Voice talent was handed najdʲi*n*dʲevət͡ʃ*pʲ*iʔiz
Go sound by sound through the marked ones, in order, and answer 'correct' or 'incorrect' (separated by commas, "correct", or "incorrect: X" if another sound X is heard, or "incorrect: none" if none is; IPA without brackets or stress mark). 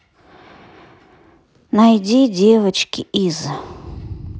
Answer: incorrect: none, incorrect: kʲ